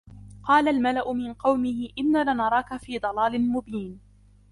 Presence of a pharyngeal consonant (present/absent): absent